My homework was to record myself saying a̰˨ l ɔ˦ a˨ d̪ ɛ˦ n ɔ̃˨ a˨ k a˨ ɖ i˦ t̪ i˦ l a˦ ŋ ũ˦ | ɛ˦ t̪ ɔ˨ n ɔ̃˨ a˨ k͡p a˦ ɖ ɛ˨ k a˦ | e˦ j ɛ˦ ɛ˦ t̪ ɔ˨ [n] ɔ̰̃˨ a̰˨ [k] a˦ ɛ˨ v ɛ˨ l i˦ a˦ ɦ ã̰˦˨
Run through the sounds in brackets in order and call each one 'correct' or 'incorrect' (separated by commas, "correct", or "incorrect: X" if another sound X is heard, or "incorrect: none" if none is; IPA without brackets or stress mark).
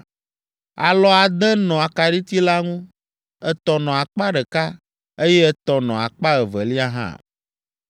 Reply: correct, incorrect: k͡p